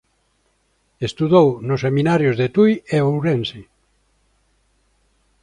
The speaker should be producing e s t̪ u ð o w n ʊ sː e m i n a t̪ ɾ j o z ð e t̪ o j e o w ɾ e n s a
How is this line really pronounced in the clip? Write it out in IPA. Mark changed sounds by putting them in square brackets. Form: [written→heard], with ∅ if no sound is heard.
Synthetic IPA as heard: e s t̪ u ð o w n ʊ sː e m i n a [t̪→∅] ɾ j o z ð e t̪ [o→u] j e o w ɾ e n s [a→i]